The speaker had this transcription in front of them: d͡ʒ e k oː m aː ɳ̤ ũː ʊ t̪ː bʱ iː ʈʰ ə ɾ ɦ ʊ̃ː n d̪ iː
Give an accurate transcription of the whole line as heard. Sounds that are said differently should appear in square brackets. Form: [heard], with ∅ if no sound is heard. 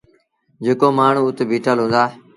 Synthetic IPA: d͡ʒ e k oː m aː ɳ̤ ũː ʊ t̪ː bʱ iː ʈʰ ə [l] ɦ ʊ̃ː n d̪ [aː]